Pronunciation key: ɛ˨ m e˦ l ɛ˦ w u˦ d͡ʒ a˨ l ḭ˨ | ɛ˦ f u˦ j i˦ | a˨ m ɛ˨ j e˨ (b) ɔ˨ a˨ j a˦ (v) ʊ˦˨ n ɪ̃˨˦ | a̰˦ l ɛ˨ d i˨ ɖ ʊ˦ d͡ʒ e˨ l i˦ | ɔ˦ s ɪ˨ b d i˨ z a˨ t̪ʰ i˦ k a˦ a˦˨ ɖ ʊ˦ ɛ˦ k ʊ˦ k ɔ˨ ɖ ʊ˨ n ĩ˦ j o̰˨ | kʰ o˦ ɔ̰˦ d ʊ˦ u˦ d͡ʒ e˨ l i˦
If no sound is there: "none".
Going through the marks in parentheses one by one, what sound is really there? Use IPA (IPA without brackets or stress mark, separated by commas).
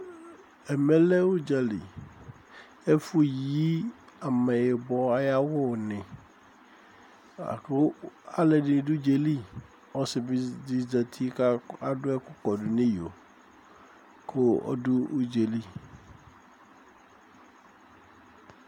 b, w